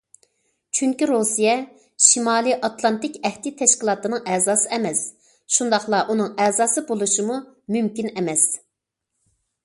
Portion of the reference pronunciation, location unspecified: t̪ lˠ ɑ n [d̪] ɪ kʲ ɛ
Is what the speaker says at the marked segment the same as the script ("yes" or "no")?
no